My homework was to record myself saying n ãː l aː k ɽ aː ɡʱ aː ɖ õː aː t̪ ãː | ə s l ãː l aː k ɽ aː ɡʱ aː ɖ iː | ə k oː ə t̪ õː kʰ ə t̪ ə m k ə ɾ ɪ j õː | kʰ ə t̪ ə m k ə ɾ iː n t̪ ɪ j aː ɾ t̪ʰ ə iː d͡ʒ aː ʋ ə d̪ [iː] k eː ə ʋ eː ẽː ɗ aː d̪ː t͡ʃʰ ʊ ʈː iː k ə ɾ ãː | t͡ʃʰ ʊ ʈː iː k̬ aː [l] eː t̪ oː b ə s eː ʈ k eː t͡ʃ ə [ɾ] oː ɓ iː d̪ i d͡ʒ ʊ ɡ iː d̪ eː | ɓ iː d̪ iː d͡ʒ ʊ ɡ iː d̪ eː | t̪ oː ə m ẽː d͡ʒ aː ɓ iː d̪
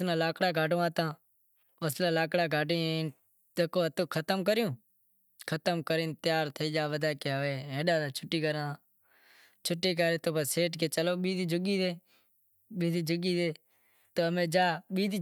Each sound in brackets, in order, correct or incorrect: incorrect: aː, incorrect: ɾ, incorrect: l

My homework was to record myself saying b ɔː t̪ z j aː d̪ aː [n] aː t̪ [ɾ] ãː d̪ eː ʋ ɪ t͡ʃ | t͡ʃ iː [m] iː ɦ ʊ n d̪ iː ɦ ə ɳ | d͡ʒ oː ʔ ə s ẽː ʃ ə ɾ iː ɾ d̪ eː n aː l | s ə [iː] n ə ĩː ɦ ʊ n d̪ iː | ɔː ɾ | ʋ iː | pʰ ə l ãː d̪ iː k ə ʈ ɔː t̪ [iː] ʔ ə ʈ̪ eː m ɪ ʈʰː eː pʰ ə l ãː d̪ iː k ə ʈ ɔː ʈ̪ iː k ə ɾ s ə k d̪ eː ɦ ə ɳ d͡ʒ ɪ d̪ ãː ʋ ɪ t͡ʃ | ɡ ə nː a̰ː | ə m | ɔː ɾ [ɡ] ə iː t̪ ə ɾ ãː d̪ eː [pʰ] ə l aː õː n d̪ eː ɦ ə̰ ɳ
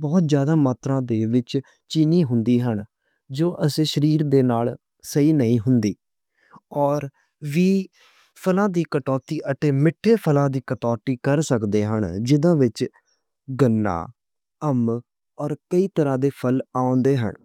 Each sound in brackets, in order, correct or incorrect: incorrect: m, correct, incorrect: n, correct, correct, incorrect: k, correct

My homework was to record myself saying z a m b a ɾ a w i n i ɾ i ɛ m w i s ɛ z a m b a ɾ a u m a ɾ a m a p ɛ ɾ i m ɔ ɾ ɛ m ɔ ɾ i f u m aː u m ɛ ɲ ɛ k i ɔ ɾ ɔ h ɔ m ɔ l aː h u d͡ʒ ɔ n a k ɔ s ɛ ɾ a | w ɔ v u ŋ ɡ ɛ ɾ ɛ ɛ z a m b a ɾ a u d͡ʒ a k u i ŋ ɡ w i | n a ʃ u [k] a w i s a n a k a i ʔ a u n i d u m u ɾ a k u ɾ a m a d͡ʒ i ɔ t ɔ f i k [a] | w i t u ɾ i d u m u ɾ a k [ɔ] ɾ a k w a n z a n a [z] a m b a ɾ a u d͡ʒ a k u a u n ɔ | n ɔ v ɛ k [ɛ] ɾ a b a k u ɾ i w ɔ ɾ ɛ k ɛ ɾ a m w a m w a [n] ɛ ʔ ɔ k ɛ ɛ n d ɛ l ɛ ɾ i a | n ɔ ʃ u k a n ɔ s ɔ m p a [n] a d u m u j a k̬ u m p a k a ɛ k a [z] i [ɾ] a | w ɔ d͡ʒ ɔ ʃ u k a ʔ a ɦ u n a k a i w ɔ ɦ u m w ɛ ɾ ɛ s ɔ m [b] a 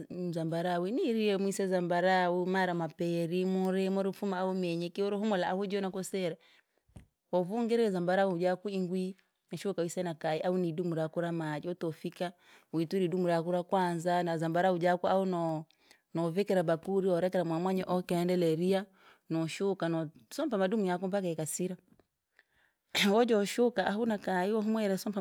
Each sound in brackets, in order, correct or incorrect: correct, correct, incorrect: u, correct, correct, incorrect: ɲ, incorrect: m, incorrect: s, correct, incorrect: p

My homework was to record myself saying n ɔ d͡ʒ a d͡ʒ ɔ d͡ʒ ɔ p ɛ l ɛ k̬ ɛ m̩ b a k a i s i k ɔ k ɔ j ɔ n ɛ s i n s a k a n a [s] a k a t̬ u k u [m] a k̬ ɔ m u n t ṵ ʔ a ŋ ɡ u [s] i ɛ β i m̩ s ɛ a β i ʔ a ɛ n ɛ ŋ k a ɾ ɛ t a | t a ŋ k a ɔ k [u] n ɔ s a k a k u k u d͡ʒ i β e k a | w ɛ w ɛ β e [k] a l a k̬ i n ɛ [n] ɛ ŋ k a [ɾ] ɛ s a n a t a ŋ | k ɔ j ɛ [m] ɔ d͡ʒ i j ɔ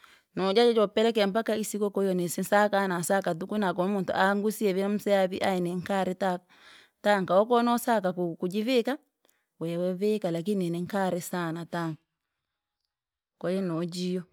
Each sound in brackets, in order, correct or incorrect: correct, incorrect: n, correct, incorrect: ɔ, correct, correct, correct, incorrect: n

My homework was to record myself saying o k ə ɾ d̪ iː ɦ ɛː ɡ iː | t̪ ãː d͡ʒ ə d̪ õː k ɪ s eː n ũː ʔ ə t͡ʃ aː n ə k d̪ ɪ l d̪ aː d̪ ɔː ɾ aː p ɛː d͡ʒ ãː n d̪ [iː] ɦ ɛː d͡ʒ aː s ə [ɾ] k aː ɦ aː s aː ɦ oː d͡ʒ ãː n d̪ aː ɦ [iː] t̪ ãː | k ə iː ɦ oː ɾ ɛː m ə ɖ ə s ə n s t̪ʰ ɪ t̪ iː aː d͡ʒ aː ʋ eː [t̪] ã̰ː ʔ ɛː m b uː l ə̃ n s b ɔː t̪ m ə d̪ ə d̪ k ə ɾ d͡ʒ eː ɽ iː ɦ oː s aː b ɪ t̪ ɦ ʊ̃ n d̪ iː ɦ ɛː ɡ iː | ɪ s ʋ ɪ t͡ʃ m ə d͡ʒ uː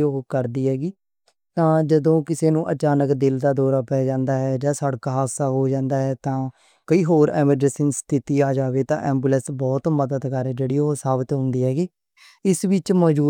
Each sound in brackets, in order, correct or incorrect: incorrect: aː, incorrect: ɽ, incorrect: ɛː, correct

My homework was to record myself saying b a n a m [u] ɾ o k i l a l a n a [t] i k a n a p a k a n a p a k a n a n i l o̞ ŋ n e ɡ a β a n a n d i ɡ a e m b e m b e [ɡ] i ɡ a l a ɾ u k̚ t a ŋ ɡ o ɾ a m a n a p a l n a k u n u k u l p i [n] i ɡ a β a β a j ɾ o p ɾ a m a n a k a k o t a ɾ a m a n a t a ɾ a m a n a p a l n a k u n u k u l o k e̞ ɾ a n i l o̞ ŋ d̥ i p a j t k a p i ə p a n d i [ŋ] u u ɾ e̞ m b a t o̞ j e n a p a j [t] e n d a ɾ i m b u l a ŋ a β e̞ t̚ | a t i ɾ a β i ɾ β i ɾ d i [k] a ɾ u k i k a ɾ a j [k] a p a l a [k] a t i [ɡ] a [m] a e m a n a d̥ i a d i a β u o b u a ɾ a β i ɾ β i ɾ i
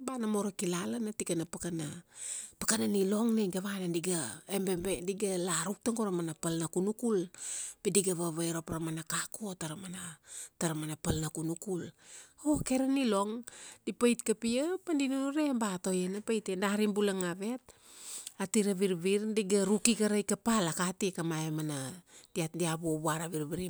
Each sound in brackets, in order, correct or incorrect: incorrect: o, correct, incorrect: d, incorrect: d, incorrect: n, correct, incorrect: ɡ, correct, correct, incorrect: k, correct

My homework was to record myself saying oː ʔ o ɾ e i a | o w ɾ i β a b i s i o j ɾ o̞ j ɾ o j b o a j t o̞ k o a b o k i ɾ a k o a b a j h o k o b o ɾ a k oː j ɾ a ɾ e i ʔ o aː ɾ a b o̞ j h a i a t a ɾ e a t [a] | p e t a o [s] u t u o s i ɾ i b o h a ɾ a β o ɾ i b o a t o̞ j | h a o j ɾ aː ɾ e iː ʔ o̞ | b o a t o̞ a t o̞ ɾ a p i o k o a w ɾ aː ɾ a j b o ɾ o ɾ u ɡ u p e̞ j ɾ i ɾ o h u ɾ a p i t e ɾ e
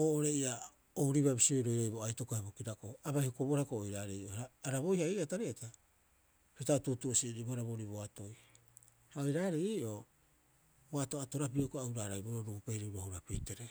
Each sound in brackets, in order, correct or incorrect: correct, incorrect: t

